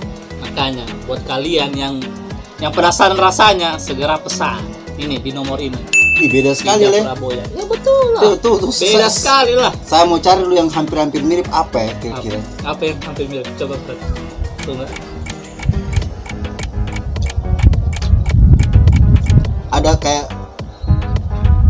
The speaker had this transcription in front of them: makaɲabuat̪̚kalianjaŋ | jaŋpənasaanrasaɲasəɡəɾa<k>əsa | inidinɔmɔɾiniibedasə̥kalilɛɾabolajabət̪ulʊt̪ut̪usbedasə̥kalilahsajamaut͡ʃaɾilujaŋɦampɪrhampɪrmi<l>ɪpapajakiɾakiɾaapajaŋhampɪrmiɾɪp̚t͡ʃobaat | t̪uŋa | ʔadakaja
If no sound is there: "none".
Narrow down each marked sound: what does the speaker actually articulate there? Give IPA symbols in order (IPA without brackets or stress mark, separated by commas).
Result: p, ɾ